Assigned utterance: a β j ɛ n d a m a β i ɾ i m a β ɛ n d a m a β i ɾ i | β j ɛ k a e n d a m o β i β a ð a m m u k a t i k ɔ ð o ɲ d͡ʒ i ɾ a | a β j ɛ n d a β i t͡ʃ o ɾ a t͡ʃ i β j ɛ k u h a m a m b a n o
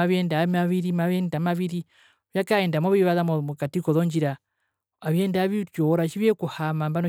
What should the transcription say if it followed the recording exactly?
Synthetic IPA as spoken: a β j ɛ n d a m a β i ɾ i m a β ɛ n d a m a β i ɾ i | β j a k a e n d a m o β i β a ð a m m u k a t i k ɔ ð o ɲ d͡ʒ i ɾ a | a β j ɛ n d a β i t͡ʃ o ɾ a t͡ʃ i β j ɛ k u h a m a m b a n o

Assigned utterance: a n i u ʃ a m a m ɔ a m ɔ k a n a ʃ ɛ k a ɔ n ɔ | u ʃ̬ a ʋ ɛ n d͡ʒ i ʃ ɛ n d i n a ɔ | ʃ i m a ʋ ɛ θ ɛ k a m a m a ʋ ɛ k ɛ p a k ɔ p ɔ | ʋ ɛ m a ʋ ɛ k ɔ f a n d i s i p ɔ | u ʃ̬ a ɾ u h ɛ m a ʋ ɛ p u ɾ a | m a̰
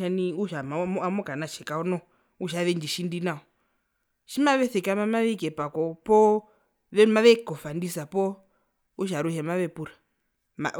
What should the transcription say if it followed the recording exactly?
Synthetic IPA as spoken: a n i u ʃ a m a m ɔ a m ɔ k a n a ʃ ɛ k a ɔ n ɔ | u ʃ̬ a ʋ ɛ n d͡ʒ i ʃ i n d i n a ɔ | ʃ i m a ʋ ɛ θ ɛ k a m a m a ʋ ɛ k ɛ p a k ɔ p ɔ | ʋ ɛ m a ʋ ɛ k ɔ f a n d i s a p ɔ | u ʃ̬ a ɾ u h ɛ m a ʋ ɛ p u ɾ a | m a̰

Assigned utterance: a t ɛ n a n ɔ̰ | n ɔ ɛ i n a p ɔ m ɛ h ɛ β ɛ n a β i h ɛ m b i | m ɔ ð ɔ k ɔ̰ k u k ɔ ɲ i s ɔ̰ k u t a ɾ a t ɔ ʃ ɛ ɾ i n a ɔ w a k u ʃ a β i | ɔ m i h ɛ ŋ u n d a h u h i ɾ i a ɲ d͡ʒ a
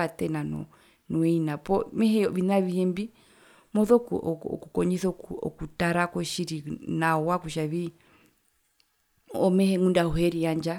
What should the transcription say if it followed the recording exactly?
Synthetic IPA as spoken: a t ɛ n a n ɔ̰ | n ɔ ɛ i n a p ɔ m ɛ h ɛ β i n a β i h ɛ m b i | m ɔ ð ɔ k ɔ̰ k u k ɔ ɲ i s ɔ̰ k u t a ɾ a k ɔ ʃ i ɾ i n a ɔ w a k u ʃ a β i | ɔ m ɛ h ɛ ŋ u n d a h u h ɛ ɾ i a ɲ d͡ʒ a

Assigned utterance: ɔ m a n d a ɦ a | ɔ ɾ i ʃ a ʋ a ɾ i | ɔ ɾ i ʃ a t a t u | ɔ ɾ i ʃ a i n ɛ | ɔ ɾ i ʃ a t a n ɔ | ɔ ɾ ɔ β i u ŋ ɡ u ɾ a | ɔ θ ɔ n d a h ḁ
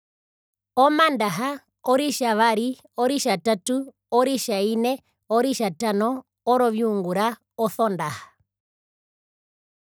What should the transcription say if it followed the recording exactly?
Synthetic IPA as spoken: ɔ m a n d a ɦ a | ɔ ɾ i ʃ a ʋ a ɾ i | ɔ ɾ i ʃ a t a t u | ɔ ɾ i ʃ a i n ɛ | ɔ ɾ i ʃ a t a n ɔ | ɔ ɾ ɔ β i u ŋ ɡ u ɾ a | ɔ θ ɔ n d a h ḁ

